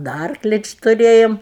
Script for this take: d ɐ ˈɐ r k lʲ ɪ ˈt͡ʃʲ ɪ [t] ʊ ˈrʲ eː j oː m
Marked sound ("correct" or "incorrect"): correct